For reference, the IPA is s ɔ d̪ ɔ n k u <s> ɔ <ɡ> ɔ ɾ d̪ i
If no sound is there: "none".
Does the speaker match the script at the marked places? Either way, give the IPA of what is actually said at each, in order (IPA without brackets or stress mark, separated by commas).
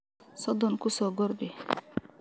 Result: s, ɡ